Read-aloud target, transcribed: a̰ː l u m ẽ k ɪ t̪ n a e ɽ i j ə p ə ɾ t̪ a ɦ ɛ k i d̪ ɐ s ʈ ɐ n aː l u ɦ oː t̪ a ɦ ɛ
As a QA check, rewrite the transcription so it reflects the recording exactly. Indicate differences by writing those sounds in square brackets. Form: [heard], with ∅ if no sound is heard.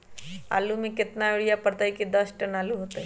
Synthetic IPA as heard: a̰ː l u m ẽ k ɪ t̪ n a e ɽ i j [a] p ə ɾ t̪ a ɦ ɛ k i d̪ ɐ s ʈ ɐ n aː l u ɦ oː t̪ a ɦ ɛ